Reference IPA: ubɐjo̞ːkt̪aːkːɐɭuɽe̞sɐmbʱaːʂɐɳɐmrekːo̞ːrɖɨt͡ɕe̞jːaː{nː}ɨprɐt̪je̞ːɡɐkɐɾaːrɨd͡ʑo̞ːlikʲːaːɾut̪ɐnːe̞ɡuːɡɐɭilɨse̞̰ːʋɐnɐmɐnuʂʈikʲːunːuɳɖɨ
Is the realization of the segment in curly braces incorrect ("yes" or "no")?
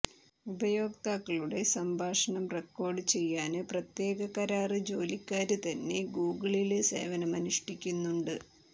yes